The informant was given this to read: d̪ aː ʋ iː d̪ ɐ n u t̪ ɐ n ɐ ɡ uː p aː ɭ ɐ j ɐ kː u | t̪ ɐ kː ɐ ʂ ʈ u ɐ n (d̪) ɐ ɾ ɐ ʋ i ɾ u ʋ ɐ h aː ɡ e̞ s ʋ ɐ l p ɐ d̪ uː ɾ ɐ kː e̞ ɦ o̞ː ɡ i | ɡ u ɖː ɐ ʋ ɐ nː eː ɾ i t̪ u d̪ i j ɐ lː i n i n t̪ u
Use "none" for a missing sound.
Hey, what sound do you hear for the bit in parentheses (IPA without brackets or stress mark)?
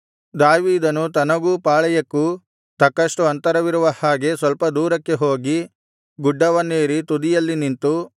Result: t̪